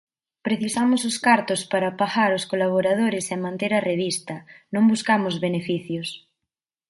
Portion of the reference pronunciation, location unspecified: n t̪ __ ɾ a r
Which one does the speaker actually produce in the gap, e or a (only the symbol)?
e